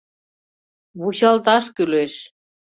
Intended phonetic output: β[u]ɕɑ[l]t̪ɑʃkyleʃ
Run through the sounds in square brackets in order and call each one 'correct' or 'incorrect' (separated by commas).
correct, correct